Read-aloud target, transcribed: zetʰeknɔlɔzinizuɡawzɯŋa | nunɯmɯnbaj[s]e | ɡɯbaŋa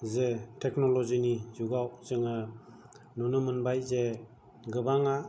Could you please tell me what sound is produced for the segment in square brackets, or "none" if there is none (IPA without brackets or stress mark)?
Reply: z